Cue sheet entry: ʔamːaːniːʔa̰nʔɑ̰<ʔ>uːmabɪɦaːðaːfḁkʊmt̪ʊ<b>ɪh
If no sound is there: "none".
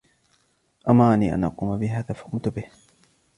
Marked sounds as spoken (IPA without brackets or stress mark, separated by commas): q, b